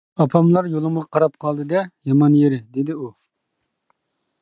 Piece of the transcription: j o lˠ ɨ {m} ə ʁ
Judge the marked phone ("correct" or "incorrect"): correct